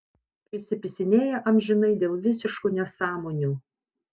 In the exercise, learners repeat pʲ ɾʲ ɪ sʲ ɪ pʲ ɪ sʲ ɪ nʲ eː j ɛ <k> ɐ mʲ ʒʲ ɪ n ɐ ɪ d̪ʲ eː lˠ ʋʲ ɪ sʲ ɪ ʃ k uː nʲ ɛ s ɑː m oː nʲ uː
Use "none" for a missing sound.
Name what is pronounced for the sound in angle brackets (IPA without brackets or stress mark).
ʔ